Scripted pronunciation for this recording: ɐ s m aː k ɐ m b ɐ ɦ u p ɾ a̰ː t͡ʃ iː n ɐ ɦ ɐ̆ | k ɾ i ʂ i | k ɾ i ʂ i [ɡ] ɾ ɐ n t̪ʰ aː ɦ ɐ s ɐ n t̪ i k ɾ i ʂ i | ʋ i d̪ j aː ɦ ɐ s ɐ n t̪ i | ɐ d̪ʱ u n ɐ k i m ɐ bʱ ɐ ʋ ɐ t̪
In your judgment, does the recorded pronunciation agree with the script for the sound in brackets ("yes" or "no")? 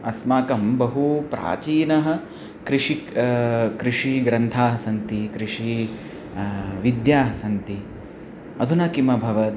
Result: yes